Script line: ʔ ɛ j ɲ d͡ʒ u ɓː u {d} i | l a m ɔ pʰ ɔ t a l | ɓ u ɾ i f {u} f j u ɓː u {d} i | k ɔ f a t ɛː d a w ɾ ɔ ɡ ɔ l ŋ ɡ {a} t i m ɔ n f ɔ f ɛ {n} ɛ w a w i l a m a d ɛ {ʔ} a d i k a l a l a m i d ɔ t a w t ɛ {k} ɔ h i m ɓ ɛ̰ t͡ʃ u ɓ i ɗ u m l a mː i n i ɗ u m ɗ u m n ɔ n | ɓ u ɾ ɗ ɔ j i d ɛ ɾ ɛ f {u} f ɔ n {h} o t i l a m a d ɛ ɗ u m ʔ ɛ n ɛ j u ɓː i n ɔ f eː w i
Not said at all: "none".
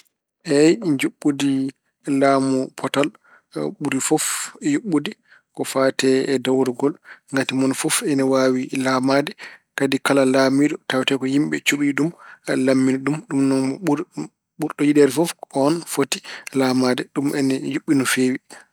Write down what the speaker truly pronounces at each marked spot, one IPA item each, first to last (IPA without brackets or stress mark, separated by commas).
d, ɔ, d, a, n, k, k, ɔ, f